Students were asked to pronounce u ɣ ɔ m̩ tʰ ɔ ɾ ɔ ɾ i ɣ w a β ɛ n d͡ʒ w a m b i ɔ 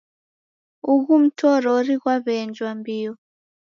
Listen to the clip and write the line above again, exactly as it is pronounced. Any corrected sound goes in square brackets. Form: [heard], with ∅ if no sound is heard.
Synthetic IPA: u ɣ [u] m̩ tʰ ɔ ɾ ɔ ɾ i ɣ w a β ɛ n d͡ʒ w a m b i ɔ

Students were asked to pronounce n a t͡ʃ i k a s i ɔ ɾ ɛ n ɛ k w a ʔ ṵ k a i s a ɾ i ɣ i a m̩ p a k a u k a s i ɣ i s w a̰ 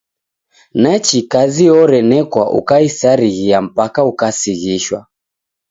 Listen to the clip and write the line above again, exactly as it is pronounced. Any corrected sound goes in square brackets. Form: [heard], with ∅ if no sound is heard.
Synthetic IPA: n a t͡ʃ i k a [z] i ɔ ɾ ɛ n ɛ k w a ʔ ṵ k a i s a ɾ i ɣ i a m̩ p a k a u k a s i ɣ i [ʃ] w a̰

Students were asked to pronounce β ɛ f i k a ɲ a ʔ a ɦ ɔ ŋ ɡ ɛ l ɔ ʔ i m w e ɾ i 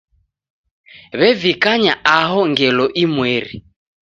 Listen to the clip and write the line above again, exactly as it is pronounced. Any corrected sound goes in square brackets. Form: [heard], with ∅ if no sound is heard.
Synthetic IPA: β ɛ [v] i k a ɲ a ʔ a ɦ ɔ ŋ ɡ ɛ l ɔ ʔ i m w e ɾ i

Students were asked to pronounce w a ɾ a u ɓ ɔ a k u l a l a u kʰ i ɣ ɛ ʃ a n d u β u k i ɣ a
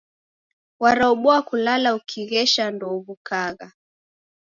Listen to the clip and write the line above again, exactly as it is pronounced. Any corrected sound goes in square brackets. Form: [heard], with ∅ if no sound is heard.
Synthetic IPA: w a ɾ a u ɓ ɔ a k u l a l a u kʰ i ɣ ɛ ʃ a n d [ɔ] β u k [a] ɣ a

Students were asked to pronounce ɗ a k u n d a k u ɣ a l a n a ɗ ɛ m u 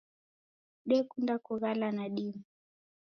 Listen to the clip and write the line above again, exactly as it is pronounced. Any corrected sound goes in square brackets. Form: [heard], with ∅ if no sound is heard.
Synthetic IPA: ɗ [ɛ] k u n d a k u ɣ a l a n a ɗ [i] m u

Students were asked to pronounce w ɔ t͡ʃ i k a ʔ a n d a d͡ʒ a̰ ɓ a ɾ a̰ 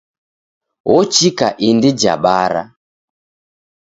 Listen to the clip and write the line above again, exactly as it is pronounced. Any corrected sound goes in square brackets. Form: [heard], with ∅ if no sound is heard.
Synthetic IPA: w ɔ t͡ʃ i k a ʔ [i] n d [i] d͡ʒ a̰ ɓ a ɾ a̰

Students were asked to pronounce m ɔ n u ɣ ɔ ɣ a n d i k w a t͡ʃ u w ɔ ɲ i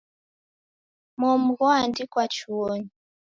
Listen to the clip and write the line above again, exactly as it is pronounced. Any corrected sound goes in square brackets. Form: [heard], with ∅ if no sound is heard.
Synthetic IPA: m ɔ [m] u ɣ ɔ [∅] a n d i k w a t͡ʃ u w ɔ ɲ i

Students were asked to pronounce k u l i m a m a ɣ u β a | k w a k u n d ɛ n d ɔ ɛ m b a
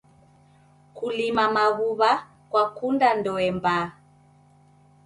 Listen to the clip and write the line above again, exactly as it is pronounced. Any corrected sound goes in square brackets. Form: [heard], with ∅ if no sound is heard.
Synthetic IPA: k u l i m a m a ɣ u β a | k w a k u n d [a] n d ɔ ɛ m b a

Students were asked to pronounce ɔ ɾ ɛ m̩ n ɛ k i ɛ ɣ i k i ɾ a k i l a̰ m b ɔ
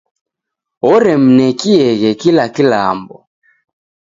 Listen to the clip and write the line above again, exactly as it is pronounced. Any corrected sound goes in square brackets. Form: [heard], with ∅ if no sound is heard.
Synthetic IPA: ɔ ɾ ɛ m̩ n ɛ k i ɛ ɣ [ɛ] k i [l] a k i l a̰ m b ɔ

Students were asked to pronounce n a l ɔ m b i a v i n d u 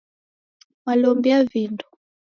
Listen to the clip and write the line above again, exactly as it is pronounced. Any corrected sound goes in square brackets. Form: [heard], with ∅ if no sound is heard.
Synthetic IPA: [m] a l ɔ m b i a v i n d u

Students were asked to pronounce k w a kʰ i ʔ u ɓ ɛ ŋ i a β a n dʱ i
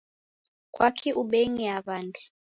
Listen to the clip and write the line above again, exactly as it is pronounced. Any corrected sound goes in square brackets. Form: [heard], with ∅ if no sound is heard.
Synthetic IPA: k w a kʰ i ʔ u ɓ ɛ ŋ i a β a n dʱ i

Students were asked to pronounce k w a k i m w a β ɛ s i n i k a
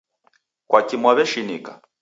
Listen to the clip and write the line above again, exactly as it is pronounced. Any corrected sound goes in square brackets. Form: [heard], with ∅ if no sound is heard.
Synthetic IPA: k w a k i m w a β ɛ [ʃ] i n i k a

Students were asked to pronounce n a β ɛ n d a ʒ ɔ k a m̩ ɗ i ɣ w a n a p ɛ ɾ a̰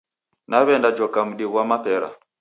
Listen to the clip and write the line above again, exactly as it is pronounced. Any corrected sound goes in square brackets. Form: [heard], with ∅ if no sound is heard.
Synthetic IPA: n a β ɛ n d a [d͡ʒ] ɔ k a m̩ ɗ i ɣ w a [m] a p ɛ ɾ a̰

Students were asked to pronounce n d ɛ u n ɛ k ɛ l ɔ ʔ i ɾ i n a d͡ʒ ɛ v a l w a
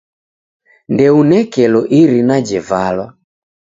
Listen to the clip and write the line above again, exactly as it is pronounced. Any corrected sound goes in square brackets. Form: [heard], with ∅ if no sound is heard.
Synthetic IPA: n d ɛ u n ɛ k ɛ l ɔ ʔ i ɾ i n a d͡ʒ ɛ v a l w a

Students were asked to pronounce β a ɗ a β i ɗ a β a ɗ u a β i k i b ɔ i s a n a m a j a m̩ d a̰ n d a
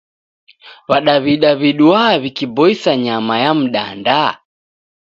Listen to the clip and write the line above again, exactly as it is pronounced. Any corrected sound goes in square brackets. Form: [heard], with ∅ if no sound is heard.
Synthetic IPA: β a ɗ a β i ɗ a β [i] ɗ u a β i k i b ɔ i s a [ɲ] a m a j a m̩ [ɗ] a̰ n d a

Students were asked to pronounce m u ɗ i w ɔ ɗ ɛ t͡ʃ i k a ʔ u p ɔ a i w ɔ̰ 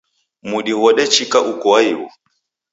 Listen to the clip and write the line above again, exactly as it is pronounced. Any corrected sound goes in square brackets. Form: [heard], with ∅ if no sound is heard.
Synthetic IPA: m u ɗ i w ɔ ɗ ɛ t͡ʃ i k a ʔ u [k] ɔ a i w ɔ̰

